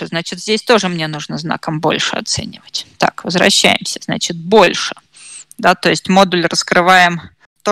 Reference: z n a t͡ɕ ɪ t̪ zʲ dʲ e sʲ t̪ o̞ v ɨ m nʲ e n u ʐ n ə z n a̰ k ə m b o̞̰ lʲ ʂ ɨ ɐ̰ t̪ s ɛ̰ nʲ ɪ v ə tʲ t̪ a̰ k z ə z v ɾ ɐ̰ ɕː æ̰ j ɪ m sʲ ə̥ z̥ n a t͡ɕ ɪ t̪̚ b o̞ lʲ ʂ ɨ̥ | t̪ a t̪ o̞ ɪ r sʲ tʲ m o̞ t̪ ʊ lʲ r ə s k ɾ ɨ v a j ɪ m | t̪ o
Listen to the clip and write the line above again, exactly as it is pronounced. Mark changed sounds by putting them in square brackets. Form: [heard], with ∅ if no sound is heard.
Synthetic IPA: z n a t͡ɕ ɪ t̪ zʲ dʲ e sʲ t̪ o̞ [ʐ] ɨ m nʲ e n u ʐ n ə z n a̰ k ə m b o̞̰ lʲ ʂ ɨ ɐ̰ t̪ s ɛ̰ nʲ ɪ v ə tʲ t̪ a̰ k [v] ə z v ɾ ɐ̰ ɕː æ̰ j ɪ m sʲ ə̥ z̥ n a t͡ɕ ɪ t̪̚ b o̞ lʲ ʂ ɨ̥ | [d̪] a t̪ o̞ ɪ [∅] sʲ tʲ m o̞ [d̪] ʊ lʲ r ə s k ɾ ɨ v a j ɪ m | t̪ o